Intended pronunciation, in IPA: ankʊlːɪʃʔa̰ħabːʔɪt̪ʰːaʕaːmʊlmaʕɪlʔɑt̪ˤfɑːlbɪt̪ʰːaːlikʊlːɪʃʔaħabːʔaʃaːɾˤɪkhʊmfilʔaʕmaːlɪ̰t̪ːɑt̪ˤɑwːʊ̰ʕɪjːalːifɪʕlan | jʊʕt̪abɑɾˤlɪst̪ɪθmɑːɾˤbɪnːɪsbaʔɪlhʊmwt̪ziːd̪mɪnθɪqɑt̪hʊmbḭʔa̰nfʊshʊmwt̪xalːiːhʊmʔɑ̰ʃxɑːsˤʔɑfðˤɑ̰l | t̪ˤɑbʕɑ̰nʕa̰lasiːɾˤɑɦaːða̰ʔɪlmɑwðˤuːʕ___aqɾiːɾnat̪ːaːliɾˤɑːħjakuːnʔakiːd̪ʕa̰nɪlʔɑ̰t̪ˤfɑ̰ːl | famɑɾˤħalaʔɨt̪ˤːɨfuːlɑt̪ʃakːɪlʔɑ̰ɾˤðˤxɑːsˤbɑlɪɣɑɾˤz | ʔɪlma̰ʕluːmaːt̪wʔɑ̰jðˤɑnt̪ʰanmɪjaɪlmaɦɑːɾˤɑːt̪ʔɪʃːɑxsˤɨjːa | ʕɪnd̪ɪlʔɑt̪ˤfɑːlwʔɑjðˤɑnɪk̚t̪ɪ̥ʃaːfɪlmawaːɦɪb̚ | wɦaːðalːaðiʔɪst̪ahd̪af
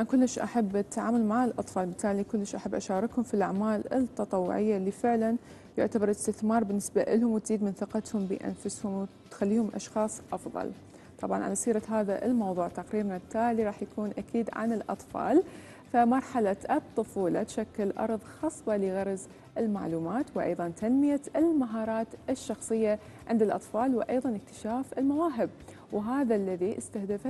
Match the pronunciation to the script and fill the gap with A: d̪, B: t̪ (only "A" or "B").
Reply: B